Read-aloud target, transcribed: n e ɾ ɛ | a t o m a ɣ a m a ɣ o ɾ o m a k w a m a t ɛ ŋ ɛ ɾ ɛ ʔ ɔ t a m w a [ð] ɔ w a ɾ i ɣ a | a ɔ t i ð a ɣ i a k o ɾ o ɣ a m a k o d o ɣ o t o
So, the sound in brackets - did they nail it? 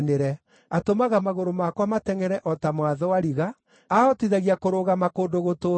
yes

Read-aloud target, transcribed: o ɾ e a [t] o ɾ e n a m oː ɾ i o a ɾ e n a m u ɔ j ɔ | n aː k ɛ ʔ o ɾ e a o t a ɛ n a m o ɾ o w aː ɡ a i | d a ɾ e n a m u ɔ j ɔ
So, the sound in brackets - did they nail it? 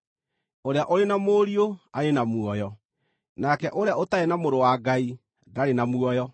no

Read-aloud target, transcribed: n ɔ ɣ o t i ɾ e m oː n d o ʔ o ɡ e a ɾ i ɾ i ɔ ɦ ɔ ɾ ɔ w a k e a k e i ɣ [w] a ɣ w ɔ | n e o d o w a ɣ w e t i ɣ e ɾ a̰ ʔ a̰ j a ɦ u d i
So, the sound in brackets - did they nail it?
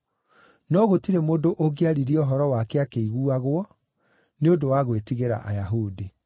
no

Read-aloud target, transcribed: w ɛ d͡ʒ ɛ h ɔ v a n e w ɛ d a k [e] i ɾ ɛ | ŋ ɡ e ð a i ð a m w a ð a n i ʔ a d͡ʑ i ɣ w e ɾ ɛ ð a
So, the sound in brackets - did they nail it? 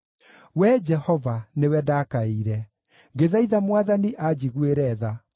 no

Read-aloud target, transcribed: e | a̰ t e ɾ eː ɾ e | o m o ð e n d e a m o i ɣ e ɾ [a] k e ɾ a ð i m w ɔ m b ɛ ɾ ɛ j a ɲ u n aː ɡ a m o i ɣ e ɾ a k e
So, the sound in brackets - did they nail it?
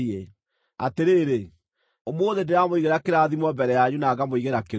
yes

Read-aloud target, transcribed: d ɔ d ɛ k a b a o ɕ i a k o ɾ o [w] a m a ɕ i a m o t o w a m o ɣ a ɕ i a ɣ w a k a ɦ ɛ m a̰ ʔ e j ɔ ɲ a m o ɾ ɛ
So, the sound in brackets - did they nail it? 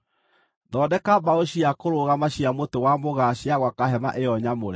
no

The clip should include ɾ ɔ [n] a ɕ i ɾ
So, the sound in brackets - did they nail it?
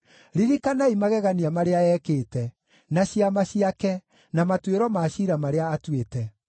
no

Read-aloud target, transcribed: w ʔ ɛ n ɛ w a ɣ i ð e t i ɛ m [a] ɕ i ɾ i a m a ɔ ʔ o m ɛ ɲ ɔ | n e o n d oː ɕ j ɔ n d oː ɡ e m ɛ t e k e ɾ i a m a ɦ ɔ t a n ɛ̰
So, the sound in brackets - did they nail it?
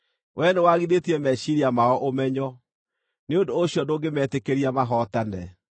no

